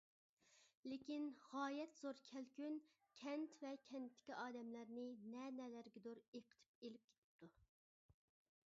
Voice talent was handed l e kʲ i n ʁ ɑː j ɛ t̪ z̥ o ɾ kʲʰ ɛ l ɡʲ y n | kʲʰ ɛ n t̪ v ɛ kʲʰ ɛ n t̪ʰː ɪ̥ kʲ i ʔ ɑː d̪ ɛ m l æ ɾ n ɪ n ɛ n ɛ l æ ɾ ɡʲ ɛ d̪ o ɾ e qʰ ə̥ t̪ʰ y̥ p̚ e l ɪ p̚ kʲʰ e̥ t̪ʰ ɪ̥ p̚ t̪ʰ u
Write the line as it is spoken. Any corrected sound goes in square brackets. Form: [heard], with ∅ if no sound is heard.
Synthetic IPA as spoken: l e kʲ i n ʁ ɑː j ɛ t̪ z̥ o ɾ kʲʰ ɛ l [kʲ] y n | kʲʰ ɛ n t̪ v ɛ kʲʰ ɛ n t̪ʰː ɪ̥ kʲ i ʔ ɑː d̪ ɛ m l æ ɾ n ɪ n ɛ n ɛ l æ ɾ ɡʲ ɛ d̪ o ɾ e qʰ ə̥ t̪ʰ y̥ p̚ e l ɪ p̚ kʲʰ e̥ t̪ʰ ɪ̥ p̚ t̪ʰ u